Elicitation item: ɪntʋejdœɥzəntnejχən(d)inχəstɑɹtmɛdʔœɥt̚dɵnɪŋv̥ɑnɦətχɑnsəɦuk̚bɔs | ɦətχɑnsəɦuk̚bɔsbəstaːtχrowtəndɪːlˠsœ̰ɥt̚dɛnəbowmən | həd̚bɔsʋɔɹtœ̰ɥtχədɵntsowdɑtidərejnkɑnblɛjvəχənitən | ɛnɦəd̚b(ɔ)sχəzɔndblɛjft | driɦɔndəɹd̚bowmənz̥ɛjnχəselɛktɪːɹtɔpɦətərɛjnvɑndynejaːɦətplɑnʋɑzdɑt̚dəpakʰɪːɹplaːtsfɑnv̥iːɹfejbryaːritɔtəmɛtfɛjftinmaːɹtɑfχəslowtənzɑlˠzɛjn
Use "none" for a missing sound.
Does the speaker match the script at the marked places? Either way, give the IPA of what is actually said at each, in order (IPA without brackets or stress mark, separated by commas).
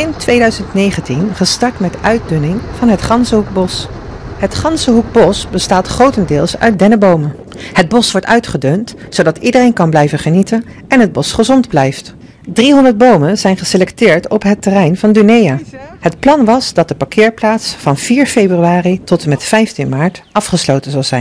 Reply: t, ɔ